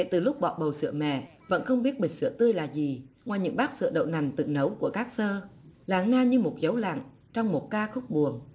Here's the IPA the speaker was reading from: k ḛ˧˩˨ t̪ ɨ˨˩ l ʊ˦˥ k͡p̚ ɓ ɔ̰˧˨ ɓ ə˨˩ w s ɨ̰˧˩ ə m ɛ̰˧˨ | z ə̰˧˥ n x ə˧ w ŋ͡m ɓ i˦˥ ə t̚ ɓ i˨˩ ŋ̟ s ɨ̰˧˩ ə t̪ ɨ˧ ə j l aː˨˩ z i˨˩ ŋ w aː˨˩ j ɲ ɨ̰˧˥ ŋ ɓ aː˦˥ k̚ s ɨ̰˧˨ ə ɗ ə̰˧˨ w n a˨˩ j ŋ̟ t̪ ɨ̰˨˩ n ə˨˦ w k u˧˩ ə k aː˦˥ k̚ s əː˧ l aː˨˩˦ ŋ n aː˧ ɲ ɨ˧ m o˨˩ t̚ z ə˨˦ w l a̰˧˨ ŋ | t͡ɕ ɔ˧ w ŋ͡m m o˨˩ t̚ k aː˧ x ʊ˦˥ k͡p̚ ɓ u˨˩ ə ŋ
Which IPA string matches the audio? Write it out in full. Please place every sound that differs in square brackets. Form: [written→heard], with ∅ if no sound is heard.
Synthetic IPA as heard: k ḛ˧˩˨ t̪ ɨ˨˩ l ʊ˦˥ k͡p̚ ɓ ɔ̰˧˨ ɓ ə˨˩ w s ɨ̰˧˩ ə m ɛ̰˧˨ | [z→v] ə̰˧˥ n x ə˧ w ŋ͡m ɓ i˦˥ ə t̚ ɓ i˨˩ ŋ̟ s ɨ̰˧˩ ə t̪ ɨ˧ ə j l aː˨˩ z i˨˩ ŋ w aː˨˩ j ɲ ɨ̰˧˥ ŋ ɓ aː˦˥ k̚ s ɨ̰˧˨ ə ɗ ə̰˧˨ w n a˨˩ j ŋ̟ t̪ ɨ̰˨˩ n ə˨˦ w k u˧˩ ə k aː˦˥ k̚ s əː˧ l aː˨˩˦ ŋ n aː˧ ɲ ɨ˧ m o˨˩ t̚ z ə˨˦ w l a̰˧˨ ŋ | t͡ɕ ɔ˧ w ŋ͡m m o˨˩ t̚ k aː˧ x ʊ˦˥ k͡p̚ ɓ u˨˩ ə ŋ